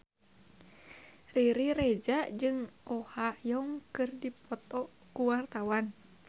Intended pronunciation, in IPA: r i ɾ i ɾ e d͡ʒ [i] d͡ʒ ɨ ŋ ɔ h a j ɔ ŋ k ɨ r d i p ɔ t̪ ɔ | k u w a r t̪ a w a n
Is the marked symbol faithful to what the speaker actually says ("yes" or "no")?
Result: no